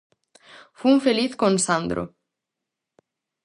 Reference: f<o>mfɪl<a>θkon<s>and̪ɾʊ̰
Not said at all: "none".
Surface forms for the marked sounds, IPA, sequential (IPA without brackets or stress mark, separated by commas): u, i, s